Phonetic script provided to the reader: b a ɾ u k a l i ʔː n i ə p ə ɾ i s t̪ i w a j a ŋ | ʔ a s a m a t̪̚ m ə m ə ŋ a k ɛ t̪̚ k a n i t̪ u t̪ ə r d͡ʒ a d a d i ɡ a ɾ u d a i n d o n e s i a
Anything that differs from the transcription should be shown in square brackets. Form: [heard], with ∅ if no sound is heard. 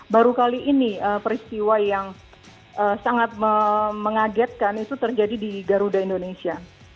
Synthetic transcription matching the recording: b a ɾ u k a l i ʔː n i ə p ə ɾ i s t̪ i w a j a ŋ | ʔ [ə] s a [ŋ] a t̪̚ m ə m ə ŋ a [ɡ] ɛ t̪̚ k a n i t̪ u t̪ ə r d͡ʒ a d [i] d i ɡ a ɾ u d a i n d o n e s i a

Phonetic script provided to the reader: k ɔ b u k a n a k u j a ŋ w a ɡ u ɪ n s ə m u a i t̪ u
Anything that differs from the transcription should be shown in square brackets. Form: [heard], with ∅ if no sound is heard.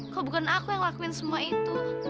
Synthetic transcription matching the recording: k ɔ b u k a n a k u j a ŋ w a [k] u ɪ n s ə m u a i t̪ u

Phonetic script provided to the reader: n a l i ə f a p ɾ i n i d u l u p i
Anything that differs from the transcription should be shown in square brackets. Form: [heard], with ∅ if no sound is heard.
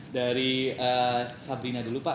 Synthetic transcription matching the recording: [d] a [ɾ] i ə [s] a [b] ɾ i n [a] d u l u p [a]

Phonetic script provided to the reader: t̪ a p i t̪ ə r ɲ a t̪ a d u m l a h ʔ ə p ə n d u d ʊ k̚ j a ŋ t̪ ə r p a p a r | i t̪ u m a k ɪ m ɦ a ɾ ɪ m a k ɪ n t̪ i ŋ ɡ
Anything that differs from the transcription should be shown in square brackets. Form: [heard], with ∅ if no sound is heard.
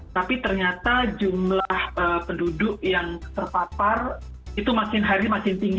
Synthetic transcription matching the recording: t̪ a p i t̪ ə r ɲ a t̪ a [d͡ʒ] u m l a h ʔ ə p ə n d u d ʊ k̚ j a ŋ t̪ ə r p a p a r | i t̪ u m a k ɪ [n] ɦ a ɾ [i] m a k ɪ n t̪ i ŋ ɡ

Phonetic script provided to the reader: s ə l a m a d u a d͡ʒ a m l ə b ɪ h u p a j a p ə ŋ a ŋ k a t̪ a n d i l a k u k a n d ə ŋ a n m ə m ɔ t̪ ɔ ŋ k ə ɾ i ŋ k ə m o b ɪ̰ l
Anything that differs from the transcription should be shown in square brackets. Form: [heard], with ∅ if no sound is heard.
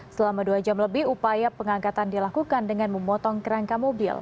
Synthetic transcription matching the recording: s ə l a m a d u a d͡ʒ a m l ə b ɪ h u p a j a p ə ŋ a ŋ k a t̪ a n d i l a k u k a n d ə ŋ a n m ə m ɔ t̪ ɔ ŋ k ə ɾ [a] ŋ k [a] m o b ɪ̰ l

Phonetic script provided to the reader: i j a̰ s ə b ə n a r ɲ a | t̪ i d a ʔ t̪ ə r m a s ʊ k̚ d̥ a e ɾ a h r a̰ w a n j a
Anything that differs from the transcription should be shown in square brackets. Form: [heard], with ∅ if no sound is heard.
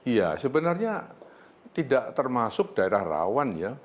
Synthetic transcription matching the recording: i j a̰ s ə b ə n a r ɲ a | t̪ i d a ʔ t̪ ə r m a s ʊ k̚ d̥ a e ɾ a h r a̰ w a n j a

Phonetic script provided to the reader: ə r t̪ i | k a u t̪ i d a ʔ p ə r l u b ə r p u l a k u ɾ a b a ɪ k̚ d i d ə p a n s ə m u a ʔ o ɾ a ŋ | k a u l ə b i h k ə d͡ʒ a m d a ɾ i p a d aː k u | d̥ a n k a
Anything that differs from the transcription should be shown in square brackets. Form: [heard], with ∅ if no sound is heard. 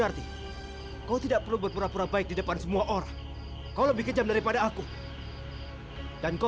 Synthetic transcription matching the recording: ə r t̪ i | k a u t̪ i d a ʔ p ə r l u b ə r p u [ɾ] a [p] u ɾ a b a ɪ k̚ d i d ə p a n s ə m u a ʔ o ɾ a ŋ | k a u l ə b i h k ə d͡ʒ a m d a ɾ i p a d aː k u | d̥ a n k a

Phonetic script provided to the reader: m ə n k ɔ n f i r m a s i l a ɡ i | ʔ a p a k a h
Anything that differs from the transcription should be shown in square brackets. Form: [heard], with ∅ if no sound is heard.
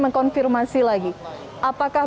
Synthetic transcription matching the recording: m ə [ŋ] k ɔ n f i r m a s i l a ɡ i | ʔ a p a k a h

